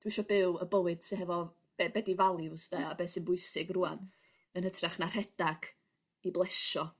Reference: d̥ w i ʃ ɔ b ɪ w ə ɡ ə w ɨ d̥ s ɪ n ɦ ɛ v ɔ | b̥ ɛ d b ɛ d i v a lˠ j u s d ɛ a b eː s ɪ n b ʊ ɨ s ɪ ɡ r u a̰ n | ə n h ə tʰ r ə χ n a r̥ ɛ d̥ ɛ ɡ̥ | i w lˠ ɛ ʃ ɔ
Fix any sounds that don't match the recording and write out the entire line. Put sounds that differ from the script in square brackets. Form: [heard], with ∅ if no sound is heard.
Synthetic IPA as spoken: d̥ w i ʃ ɔ b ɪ w ə [b] ə w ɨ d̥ s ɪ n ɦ ɛ v ɔ | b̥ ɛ [∅] b ɛ d i v a lˠ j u s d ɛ a b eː s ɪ n b ʊ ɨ s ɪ ɡ r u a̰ n | ə n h ə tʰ r [a] χ n a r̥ ɛ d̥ [a] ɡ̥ | i [b] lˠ ɛ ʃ ɔ